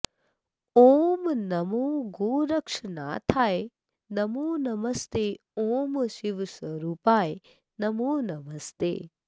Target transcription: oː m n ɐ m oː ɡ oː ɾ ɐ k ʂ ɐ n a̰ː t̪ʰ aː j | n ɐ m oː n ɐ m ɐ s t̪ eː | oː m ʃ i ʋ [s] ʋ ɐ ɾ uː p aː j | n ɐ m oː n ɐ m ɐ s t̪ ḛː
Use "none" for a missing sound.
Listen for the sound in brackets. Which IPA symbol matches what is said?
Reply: s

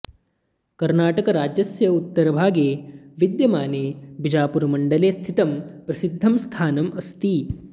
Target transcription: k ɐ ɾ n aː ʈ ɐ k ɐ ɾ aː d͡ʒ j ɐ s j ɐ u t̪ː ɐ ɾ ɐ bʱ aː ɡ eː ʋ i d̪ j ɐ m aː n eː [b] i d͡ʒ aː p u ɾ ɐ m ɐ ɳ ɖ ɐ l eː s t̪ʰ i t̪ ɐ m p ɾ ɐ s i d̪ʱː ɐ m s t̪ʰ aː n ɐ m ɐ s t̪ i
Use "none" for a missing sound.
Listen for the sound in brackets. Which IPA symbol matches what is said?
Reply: b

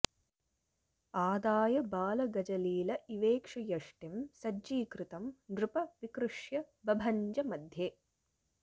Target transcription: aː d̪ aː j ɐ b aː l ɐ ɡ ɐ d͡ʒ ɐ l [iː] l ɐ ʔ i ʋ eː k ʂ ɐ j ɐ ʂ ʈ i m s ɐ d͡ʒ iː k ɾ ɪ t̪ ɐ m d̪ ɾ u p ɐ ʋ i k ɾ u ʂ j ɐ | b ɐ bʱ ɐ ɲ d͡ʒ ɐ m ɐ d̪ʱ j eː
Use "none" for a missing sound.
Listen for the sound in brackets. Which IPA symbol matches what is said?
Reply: iː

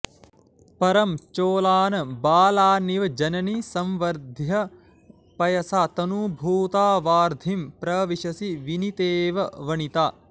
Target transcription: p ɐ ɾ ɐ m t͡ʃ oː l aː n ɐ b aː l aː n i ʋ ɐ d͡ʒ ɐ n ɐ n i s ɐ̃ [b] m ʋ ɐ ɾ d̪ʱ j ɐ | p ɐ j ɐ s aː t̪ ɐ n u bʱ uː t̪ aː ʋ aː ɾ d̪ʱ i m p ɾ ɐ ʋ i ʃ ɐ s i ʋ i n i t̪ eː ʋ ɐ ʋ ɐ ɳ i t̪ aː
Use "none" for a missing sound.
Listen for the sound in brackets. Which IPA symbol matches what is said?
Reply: none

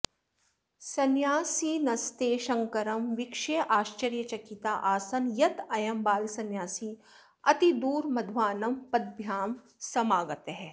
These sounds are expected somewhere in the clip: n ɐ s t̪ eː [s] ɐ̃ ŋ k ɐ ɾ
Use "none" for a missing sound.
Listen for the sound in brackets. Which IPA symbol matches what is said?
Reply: ʃ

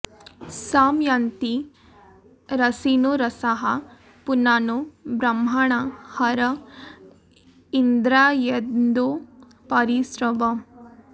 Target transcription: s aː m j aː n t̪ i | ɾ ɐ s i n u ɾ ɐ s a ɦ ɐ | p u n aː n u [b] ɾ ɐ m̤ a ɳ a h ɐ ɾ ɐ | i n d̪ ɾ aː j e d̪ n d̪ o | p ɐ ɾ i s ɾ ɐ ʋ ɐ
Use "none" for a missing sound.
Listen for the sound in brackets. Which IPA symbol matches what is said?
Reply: b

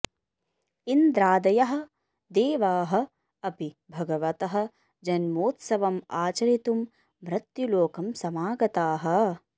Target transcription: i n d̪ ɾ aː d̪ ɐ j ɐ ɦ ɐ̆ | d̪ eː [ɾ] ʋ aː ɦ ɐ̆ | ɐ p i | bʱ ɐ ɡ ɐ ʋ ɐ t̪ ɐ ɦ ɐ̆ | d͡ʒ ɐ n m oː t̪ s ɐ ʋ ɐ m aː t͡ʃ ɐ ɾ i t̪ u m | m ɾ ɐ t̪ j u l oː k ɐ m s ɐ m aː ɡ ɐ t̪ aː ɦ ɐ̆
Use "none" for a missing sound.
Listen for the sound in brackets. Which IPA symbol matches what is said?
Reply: none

